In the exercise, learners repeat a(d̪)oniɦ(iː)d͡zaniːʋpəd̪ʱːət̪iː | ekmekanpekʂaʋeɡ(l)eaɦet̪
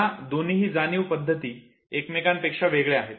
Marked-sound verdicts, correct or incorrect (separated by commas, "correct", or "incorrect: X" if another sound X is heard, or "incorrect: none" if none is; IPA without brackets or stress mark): correct, correct, incorrect: ɭ